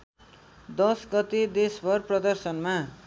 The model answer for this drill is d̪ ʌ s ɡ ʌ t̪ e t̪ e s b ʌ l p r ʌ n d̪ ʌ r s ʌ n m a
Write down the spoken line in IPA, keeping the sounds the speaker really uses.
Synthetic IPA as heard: d̪ ʌ s ɡ ʌ t̪ e d̪ e s b ʌ r p r ʌ d̪ ʌ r s ʌ n m a